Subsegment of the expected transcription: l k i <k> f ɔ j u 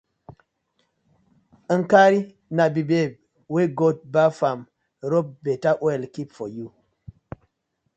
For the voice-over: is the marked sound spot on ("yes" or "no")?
no